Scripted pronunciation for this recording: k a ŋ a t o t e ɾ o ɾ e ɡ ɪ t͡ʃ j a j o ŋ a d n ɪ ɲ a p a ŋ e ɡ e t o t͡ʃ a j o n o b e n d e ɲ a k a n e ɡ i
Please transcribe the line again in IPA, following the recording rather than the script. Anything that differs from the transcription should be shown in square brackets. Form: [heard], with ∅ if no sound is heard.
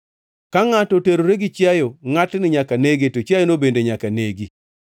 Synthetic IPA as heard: k a ŋ a t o t e ɾ o ɾ e ɡ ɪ t͡ʃ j a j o ŋ a [t] n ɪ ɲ a [k] a [n] e ɡ e t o t͡ʃ a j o n o b e n d e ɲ a k a n e ɡ i